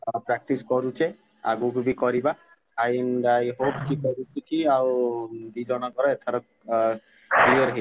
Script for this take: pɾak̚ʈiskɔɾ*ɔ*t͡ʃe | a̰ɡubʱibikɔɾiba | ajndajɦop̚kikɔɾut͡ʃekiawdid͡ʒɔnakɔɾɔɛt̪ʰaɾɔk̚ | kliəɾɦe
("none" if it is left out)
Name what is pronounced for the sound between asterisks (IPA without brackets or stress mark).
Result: u